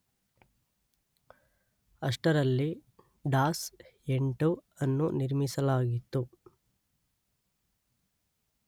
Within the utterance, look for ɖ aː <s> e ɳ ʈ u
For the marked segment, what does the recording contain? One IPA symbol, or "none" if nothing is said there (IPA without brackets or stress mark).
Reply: s